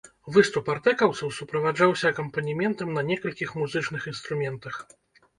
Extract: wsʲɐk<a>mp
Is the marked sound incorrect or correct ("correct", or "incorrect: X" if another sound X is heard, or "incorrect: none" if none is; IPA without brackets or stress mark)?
incorrect: ɐ